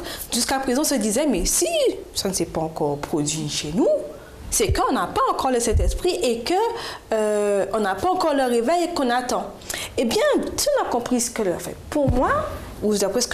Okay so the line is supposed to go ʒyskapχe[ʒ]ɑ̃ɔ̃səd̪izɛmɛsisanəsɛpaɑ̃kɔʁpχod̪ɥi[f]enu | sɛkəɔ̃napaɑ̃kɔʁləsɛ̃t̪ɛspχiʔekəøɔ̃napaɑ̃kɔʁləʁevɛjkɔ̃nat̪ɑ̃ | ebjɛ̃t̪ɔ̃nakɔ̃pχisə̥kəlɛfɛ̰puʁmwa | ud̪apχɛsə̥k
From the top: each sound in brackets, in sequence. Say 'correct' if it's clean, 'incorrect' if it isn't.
incorrect: z, incorrect: ʃ

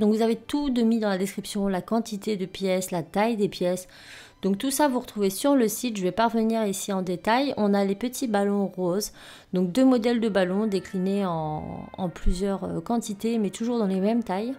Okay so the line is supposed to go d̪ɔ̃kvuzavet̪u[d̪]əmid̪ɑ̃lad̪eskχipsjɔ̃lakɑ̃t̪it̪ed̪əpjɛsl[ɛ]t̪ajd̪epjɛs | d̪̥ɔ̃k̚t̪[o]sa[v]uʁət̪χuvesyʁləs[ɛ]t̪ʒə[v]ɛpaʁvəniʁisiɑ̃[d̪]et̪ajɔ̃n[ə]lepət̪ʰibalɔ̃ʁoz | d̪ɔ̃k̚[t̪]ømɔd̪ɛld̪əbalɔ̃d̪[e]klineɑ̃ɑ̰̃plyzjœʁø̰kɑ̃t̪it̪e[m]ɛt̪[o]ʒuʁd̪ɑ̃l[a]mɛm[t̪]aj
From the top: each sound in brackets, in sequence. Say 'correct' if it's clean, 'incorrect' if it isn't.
correct, incorrect: a, incorrect: u, correct, incorrect: i, correct, correct, incorrect: a, incorrect: d̪, correct, correct, incorrect: u, incorrect: e, correct

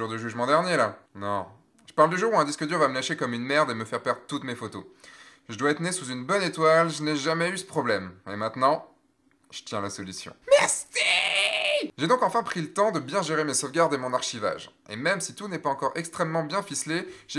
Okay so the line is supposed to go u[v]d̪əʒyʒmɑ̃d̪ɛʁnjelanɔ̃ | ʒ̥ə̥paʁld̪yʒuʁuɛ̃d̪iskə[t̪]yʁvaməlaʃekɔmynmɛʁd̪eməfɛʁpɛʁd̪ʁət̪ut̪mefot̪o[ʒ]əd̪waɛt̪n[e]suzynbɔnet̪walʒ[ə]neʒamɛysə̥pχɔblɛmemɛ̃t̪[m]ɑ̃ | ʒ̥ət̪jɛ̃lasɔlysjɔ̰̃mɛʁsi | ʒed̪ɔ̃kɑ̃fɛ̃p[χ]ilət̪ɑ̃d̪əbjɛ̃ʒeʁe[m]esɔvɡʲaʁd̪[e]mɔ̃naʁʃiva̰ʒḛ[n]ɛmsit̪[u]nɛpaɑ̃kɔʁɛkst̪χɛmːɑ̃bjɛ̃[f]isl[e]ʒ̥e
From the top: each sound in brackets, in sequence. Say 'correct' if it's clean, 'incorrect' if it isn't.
incorrect: ʁ, incorrect: d̪, correct, correct, correct, incorrect: n, correct, correct, correct, incorrect: m, correct, correct, correct

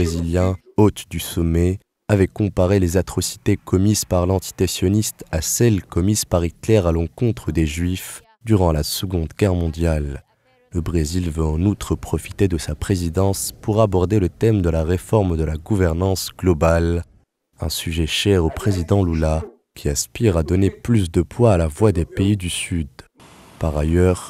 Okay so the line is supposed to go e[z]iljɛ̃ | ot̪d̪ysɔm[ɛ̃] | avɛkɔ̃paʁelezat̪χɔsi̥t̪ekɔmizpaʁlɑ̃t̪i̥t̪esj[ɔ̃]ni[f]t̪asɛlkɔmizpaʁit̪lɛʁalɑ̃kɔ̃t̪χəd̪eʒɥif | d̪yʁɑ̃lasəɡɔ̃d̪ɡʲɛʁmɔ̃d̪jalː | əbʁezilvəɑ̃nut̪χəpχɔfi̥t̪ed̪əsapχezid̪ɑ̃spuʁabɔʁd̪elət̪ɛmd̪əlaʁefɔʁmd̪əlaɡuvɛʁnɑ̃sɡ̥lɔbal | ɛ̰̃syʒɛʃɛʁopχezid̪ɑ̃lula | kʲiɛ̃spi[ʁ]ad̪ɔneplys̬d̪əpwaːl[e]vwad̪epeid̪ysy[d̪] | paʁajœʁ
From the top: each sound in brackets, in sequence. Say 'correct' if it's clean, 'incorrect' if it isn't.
correct, incorrect: ɛ, incorrect: ɔ, incorrect: s, correct, incorrect: a, correct

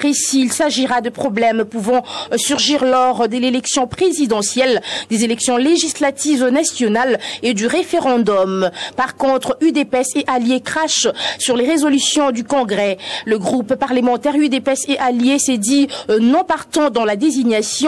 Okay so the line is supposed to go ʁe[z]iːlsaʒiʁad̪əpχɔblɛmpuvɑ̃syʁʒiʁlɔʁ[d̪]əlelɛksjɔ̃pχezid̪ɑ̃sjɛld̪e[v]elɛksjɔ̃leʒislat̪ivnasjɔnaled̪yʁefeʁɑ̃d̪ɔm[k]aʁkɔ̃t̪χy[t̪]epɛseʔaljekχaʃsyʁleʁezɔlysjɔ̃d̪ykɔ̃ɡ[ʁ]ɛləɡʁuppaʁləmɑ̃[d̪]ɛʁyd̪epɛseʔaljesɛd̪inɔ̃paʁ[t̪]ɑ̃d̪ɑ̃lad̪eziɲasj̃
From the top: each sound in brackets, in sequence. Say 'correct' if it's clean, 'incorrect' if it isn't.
incorrect: s, correct, incorrect: z, incorrect: p, incorrect: d̪, correct, incorrect: t̪, correct

